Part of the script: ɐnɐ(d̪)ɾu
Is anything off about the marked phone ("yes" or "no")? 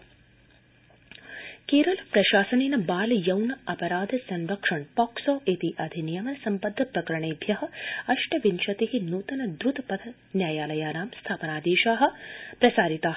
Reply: no